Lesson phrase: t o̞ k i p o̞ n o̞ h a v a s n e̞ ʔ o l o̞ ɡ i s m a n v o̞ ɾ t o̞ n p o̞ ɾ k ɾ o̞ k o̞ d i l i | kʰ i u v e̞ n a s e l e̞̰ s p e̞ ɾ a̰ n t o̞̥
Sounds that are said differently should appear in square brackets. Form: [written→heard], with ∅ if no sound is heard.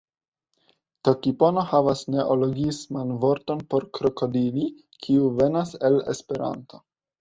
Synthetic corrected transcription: t o̞ k i p o̞ n o̞ h a v a s n e̞ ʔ o l o̞ ɡ i s m a n v o̞ ɾ t o̞ n p o̞ ɾ k ɾ o̞ k o̞ d i l i | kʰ i u v e̞ n a s e l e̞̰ s p e̞ ɾ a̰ n t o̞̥